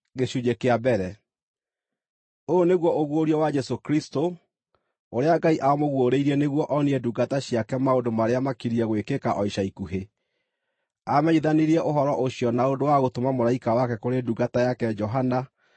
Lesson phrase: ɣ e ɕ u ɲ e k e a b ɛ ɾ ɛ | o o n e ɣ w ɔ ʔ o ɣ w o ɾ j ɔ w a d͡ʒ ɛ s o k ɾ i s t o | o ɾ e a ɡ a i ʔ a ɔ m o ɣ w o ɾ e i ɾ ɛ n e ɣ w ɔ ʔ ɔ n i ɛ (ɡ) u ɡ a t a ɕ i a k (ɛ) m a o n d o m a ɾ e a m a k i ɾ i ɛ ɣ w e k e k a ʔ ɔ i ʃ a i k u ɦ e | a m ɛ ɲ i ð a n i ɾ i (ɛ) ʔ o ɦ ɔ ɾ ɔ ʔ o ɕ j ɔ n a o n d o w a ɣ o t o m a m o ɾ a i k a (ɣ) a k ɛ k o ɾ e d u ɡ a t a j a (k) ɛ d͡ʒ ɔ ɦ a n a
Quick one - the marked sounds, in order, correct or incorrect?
incorrect: d, correct, correct, incorrect: w, correct

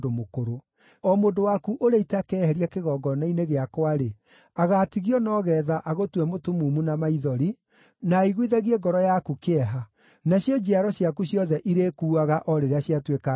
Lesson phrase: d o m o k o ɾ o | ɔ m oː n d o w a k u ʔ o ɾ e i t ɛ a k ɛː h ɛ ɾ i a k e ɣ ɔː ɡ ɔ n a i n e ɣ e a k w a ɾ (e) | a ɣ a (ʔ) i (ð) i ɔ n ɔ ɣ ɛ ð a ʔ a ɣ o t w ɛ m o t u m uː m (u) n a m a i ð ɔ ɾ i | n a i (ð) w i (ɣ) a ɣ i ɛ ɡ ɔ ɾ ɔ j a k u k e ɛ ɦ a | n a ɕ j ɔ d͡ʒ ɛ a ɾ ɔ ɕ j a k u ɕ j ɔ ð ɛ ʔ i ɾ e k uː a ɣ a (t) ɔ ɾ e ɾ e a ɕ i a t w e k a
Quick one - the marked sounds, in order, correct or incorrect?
correct, incorrect: t, incorrect: ɣ, correct, incorrect: ɣ, incorrect: ð, incorrect: ʔ

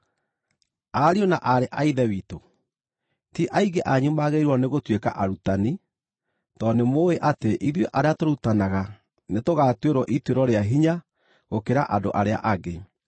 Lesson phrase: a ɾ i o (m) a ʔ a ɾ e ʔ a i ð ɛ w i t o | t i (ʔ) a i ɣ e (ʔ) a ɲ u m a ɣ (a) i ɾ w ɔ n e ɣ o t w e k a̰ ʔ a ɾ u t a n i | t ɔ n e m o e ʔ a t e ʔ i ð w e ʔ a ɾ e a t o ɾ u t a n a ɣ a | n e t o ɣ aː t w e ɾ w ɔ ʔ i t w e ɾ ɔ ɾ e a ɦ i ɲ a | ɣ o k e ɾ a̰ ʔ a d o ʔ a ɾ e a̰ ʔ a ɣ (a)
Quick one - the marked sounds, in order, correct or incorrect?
incorrect: n, correct, correct, incorrect: e, incorrect: e

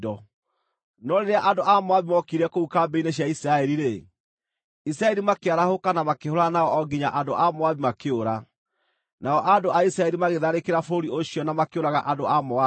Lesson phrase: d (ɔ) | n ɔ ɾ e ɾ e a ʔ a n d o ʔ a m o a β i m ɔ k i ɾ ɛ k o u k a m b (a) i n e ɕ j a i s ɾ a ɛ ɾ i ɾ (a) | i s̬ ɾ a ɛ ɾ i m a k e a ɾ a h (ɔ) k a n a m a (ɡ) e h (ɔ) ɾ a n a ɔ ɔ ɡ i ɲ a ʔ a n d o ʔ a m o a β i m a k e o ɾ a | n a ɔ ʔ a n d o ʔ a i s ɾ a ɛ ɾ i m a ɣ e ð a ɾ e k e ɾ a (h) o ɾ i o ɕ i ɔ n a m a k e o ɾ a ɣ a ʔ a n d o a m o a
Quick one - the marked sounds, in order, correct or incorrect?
correct, incorrect: e, incorrect: e, incorrect: o, incorrect: k, incorrect: o, incorrect: f

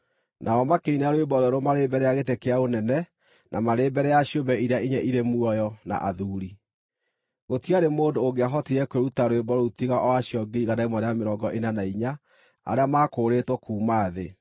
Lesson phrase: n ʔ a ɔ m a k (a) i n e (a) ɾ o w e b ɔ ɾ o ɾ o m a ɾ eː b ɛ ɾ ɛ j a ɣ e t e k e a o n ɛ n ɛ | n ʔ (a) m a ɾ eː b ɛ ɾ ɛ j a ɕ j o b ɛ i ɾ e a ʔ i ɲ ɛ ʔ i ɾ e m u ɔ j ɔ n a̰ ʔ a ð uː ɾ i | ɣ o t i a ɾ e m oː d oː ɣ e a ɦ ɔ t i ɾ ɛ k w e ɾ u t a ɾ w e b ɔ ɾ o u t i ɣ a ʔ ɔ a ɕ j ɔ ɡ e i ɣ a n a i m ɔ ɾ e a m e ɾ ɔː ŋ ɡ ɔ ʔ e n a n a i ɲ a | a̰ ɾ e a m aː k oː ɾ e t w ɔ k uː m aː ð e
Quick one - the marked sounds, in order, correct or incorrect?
incorrect: e, correct, correct

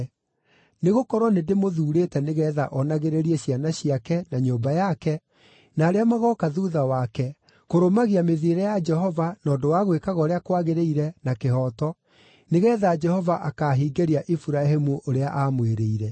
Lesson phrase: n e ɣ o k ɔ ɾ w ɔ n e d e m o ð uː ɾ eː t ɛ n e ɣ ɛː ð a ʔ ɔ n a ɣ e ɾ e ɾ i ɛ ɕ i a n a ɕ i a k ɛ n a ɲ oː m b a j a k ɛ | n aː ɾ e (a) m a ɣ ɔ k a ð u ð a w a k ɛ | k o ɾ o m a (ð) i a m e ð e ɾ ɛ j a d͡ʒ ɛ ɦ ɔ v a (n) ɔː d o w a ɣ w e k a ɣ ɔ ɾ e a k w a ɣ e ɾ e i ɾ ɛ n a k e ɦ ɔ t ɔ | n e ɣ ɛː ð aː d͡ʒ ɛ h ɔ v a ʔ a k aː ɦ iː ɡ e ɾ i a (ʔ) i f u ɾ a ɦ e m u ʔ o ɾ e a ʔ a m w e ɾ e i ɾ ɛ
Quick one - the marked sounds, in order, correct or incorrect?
correct, incorrect: ɣ, correct, correct

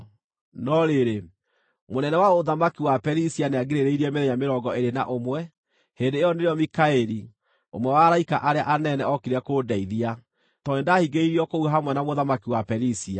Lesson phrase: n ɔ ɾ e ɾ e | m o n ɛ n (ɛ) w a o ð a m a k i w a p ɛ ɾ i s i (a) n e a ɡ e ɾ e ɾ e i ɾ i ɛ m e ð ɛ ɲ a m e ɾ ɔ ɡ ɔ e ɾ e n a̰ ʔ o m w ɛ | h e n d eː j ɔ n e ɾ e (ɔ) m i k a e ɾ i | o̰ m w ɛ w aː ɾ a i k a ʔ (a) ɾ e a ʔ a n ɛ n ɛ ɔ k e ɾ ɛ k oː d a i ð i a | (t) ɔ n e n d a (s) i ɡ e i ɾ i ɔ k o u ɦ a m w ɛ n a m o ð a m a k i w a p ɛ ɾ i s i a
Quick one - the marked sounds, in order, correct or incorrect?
correct, correct, correct, correct, correct, incorrect: h

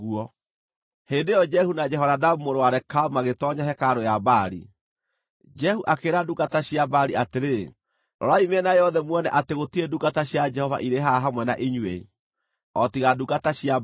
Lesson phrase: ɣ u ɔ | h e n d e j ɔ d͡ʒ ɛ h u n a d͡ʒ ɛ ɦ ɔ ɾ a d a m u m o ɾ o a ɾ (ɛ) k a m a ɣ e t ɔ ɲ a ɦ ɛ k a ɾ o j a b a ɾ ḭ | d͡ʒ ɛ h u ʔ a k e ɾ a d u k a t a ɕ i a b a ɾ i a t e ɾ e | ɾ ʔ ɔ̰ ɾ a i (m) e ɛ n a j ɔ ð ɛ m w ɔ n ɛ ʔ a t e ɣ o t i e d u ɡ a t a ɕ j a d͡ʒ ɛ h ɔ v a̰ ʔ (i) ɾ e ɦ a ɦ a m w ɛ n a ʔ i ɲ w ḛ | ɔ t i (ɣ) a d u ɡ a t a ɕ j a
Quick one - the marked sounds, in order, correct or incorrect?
correct, correct, correct, correct

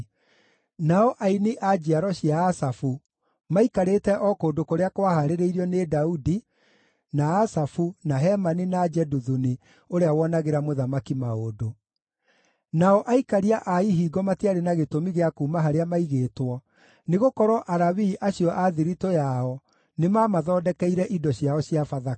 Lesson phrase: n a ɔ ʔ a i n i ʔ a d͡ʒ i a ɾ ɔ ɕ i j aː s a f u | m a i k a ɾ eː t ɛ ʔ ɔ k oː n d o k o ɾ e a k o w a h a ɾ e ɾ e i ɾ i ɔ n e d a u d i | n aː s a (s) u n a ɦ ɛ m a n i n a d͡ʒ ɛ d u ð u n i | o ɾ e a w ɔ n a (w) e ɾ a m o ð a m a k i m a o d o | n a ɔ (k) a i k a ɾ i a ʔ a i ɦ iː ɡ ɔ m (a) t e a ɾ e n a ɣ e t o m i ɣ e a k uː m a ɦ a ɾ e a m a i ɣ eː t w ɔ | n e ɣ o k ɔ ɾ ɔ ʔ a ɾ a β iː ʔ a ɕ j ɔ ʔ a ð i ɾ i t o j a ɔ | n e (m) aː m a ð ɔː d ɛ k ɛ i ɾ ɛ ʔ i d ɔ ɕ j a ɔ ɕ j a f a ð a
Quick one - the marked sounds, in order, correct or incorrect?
incorrect: f, incorrect: ɣ, incorrect: ʔ, correct, correct

